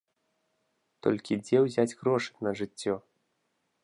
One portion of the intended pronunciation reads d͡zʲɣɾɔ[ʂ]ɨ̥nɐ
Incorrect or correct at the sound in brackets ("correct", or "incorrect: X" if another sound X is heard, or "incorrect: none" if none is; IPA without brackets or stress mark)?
correct